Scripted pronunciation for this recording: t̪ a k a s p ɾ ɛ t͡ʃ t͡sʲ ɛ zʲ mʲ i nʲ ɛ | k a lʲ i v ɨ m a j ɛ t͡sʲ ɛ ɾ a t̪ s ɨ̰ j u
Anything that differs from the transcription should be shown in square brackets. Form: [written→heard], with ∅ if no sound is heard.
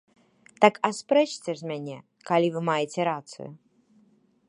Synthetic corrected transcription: t̪ a k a s p ɾ ɛ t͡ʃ t͡sʲ ɛ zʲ mʲ [i→a] nʲ ɛ | k a lʲ i v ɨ m a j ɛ t͡sʲ ɛ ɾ a t̪ s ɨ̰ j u